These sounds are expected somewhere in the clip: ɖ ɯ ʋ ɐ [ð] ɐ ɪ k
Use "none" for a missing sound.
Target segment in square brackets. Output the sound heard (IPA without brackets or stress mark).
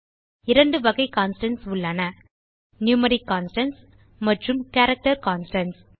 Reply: ɣ